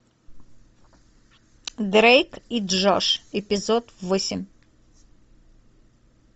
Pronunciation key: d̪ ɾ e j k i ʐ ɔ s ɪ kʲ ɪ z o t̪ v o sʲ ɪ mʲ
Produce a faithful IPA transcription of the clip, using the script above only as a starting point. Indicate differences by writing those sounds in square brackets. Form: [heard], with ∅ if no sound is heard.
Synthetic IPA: d̪ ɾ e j k i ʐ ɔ [ʂ] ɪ [pʲ] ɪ z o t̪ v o sʲ ɪ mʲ